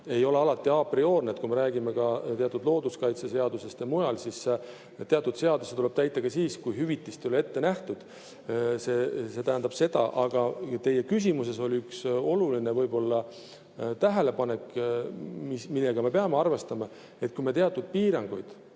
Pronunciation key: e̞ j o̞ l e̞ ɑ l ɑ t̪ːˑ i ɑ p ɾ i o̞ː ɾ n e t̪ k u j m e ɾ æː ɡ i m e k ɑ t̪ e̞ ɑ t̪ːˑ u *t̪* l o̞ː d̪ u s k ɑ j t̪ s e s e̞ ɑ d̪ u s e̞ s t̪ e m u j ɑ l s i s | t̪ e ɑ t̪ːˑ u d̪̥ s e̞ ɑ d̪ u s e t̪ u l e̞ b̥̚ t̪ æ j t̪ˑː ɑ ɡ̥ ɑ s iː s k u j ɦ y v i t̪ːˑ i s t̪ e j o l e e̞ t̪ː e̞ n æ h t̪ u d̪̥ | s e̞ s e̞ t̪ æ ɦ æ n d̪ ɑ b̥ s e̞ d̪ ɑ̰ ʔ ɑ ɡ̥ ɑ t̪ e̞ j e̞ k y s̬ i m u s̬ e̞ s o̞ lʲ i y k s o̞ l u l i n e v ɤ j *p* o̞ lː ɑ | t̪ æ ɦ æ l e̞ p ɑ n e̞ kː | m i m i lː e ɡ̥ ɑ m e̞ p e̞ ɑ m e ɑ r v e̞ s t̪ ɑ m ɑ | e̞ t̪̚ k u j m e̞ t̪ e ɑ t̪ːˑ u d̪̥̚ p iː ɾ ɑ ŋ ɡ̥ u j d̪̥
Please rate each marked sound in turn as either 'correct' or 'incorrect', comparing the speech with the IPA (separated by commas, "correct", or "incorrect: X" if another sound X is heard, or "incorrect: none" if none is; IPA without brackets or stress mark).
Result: incorrect: d̪, incorrect: b